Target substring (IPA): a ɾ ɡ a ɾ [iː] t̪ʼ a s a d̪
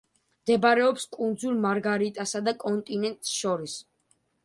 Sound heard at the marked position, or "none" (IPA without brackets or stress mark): i